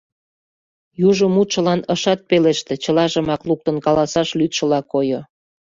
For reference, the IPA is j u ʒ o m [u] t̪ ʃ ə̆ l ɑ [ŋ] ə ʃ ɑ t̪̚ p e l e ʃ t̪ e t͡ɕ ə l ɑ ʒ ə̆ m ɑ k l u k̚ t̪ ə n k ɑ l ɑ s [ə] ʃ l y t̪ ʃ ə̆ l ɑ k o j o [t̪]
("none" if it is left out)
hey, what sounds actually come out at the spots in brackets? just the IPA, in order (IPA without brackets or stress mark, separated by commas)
u, n, ɑ, none